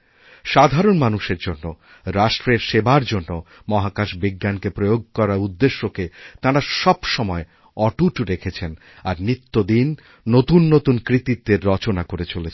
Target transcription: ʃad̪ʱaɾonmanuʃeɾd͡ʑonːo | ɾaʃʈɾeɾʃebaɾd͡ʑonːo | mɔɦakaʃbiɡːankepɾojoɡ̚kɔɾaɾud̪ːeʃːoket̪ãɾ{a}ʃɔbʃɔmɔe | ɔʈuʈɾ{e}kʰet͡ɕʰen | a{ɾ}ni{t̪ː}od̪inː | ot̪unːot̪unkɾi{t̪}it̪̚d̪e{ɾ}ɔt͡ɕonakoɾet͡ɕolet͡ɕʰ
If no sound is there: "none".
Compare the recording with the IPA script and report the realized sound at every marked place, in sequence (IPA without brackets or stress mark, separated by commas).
a, e, ɾ, t̪ː, t̪, ɾː